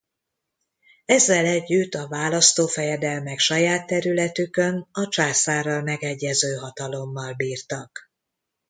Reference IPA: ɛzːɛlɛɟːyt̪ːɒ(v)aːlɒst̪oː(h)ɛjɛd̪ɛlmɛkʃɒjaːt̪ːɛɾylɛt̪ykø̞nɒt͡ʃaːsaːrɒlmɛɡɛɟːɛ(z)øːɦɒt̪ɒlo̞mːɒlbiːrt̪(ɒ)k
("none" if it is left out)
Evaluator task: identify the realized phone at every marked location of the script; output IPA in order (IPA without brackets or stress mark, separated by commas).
v, f, z, ɒ